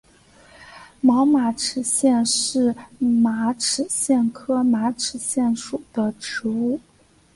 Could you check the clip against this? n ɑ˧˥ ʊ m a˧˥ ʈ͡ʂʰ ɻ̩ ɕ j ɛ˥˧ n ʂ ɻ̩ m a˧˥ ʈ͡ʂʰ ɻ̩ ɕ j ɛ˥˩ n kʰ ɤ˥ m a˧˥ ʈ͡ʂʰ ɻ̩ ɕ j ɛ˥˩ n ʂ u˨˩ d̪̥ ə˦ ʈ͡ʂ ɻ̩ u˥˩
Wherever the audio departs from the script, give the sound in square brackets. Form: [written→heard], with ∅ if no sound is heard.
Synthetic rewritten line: [n→m] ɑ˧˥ ʊ m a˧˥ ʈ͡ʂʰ ɻ̩ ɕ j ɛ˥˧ n ʂ ɻ̩ m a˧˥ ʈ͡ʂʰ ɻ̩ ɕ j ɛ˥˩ n kʰ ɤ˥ m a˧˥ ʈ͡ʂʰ ɻ̩ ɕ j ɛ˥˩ n ʂ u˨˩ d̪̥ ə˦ ʈ͡ʂ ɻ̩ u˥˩